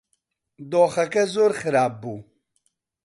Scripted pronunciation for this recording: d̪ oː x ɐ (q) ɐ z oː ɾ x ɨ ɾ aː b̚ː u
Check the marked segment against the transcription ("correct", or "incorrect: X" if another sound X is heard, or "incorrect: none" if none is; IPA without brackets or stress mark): incorrect: k